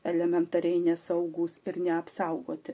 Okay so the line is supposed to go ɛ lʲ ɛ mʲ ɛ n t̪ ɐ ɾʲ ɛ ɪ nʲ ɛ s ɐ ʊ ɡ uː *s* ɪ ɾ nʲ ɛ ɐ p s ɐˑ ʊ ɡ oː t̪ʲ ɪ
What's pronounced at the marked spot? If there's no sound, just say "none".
s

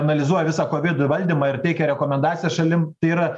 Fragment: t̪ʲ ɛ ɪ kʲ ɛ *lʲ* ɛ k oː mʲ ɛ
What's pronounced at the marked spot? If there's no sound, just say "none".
ɾʲ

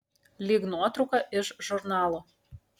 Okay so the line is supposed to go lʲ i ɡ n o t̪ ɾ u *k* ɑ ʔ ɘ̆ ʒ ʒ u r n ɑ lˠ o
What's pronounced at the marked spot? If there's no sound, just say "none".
k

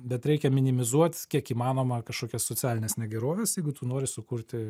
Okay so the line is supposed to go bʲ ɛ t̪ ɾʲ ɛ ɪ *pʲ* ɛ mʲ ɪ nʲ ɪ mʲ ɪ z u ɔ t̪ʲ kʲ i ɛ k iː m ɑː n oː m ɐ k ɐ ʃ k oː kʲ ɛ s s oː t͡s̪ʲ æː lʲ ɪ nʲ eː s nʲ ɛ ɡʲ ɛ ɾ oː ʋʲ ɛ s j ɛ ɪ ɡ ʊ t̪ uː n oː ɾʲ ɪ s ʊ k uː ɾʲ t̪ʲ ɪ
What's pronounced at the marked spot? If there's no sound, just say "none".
kʲ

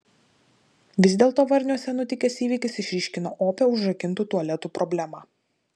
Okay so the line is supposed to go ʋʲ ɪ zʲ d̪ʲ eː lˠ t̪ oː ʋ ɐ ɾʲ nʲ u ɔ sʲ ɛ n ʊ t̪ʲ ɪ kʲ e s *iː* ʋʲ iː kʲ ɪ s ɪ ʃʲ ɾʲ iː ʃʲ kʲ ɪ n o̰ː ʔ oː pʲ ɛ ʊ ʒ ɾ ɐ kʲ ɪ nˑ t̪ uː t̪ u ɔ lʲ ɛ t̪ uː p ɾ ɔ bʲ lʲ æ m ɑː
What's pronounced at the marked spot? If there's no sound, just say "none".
iː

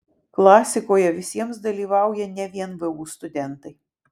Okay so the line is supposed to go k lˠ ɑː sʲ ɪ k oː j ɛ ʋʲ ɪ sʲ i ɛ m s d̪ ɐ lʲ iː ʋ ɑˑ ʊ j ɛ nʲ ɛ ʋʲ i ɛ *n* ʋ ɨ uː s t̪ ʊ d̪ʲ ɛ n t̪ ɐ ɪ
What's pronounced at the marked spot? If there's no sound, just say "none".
n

